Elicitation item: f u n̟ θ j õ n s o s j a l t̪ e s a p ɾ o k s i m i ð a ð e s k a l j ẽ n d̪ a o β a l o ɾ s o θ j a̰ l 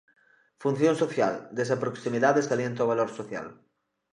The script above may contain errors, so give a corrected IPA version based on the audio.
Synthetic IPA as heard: f u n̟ θ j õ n s o θ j a l d̪ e s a p ɾ o k s i m i ð a ð e s k a l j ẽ n t̪ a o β a l o ɾ s o θ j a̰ l